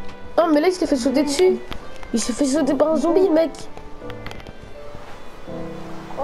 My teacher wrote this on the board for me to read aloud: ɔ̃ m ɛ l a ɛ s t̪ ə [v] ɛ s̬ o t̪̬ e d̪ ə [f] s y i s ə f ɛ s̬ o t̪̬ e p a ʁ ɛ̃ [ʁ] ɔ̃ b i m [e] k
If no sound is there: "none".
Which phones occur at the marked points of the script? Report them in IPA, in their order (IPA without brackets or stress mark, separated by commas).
f, none, z, ɛ